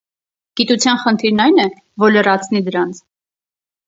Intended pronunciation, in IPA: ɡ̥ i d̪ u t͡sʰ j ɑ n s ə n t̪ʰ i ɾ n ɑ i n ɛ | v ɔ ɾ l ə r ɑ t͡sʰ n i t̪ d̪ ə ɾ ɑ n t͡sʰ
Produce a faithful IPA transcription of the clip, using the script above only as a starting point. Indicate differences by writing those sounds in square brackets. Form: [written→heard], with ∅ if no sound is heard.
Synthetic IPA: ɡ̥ i [d̪→t̪] u t͡sʰ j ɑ n [s→χ] ə n t̪ʰ i ɾ n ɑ [i→j] n ɛ | v ɔ ɾ l ə r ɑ t͡sʰ n i [t̪→∅] d̪ ə ɾ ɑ n t͡sʰ